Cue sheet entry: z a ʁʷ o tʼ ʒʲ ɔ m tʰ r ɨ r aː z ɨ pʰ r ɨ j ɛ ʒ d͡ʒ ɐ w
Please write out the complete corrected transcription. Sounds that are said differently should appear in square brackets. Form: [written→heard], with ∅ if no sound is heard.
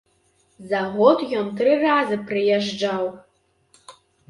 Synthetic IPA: z a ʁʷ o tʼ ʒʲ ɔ m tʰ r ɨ r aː z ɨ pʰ r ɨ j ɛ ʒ d͡ʒ [ɐ→a] w